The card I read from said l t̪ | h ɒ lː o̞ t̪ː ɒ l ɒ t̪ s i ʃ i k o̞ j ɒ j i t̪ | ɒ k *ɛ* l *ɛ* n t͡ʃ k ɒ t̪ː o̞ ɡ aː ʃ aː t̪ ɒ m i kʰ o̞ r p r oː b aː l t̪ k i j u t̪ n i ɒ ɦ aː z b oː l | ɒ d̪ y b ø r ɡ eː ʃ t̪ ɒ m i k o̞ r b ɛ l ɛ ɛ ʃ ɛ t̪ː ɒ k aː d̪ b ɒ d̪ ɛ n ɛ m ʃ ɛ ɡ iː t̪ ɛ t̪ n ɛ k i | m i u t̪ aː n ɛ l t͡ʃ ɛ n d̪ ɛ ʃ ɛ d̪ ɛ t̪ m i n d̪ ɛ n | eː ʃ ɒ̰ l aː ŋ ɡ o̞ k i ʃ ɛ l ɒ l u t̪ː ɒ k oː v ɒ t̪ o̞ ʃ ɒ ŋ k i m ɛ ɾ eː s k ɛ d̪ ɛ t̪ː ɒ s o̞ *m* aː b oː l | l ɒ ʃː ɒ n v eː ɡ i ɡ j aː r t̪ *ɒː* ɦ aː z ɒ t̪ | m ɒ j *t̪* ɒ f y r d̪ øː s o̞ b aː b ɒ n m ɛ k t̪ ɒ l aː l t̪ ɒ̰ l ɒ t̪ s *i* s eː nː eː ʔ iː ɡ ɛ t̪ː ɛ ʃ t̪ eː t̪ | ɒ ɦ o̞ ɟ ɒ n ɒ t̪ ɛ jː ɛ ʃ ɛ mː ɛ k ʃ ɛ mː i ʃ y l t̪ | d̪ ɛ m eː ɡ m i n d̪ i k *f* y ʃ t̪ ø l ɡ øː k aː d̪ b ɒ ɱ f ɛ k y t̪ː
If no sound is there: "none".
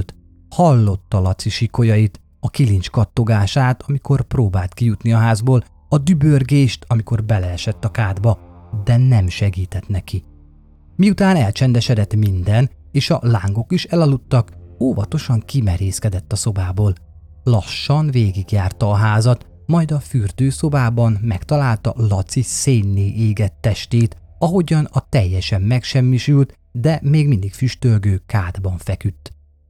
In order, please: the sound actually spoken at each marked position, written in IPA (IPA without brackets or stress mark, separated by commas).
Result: i, i, b, ɒː, d̪, i, f